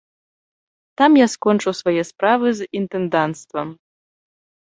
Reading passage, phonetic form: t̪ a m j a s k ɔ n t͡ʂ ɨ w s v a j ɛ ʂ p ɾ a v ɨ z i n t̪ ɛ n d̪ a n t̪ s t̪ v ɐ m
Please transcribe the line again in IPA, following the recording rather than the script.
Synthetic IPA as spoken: t̪ a m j a s k ɔ n t͡ʂ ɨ w s v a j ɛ s p ɾ a v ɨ z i n t̪ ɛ n d̪ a n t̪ s t̪ v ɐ m